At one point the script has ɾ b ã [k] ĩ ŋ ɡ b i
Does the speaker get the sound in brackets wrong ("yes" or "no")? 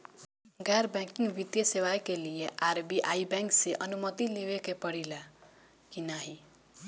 no